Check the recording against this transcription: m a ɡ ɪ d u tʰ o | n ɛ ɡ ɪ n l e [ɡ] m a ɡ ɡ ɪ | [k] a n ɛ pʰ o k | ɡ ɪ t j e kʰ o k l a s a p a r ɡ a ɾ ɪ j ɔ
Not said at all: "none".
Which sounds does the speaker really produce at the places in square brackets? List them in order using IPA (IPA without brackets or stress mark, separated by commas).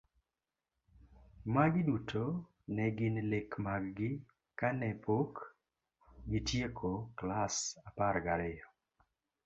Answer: k, k